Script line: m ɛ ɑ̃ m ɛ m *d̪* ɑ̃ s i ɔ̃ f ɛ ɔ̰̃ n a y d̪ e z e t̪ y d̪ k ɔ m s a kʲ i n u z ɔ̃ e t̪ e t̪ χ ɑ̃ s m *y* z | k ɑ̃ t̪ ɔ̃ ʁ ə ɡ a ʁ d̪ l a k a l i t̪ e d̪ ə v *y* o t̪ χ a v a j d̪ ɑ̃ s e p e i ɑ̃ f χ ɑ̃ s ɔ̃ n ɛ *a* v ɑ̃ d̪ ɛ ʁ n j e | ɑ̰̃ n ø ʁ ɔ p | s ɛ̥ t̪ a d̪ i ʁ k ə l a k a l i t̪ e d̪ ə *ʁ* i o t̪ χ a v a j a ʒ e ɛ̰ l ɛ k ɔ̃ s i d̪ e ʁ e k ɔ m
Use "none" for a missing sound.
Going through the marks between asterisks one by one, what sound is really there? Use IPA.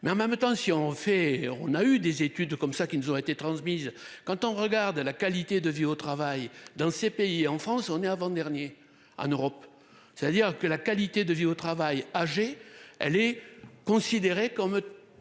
t̪, i, i, a, v

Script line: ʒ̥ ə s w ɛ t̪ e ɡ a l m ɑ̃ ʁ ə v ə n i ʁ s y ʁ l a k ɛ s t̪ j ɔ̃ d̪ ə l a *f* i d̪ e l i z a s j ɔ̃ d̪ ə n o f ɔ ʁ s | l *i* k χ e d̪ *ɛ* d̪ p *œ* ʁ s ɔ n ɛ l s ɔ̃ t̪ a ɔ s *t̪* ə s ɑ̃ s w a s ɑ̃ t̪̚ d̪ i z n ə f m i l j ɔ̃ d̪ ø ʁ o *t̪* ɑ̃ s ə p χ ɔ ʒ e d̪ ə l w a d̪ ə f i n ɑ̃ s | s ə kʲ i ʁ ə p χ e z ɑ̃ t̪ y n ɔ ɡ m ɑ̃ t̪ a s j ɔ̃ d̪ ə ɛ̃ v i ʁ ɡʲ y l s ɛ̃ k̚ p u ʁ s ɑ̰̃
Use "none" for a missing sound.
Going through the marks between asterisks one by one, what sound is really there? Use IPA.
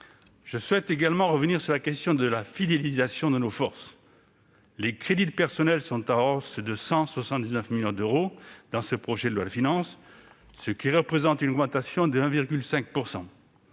f, e, i, ɛ, d̪, d̪

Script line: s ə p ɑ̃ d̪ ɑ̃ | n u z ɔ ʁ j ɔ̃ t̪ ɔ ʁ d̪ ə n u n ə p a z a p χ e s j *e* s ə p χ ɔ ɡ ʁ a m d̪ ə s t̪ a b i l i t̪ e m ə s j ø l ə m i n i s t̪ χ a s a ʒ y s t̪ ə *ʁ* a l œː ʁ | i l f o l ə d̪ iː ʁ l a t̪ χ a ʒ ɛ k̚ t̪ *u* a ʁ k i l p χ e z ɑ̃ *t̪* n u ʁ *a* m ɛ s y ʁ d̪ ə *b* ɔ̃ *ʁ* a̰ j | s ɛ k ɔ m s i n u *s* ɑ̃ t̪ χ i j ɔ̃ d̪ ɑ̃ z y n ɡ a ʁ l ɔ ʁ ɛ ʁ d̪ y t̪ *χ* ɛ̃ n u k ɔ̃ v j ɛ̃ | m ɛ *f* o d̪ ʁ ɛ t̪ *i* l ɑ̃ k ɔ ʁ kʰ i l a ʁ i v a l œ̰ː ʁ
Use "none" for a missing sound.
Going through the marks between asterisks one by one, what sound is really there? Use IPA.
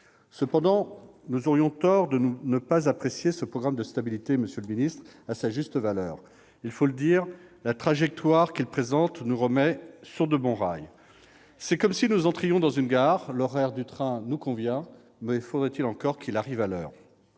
e, v, w, t̪, ə, b, ʁ, z, χ, f, i

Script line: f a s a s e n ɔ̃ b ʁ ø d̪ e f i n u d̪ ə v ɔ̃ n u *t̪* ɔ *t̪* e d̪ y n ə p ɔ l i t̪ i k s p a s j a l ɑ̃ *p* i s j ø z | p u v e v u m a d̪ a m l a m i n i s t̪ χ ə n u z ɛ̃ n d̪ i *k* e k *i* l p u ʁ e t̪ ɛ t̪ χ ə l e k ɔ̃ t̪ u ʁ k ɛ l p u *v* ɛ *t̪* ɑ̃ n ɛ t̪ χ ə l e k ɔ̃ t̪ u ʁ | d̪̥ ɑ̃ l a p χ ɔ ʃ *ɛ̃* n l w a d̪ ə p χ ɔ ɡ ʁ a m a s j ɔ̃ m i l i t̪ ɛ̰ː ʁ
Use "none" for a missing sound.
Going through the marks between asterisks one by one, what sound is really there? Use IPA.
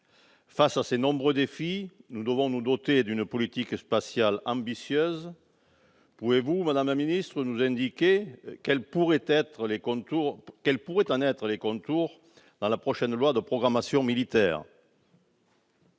d̪, t̪, b, k, ɛ, ʁ, t̪, ɛ

